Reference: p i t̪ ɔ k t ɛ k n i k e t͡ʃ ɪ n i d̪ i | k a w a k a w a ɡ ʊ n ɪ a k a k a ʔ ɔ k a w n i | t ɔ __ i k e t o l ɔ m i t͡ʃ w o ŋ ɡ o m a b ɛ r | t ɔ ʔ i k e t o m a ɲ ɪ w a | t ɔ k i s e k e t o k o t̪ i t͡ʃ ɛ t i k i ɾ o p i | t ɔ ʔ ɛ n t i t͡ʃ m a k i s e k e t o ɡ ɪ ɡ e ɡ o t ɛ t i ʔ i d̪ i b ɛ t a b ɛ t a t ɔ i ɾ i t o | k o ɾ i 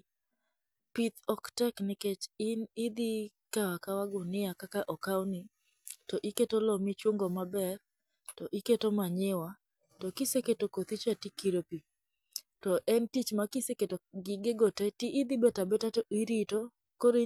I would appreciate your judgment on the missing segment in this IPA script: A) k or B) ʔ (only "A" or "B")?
B